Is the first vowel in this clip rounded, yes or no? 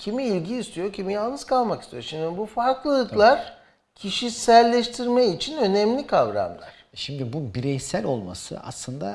no